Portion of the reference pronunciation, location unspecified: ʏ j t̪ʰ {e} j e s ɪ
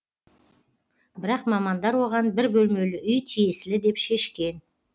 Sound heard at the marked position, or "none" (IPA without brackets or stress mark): i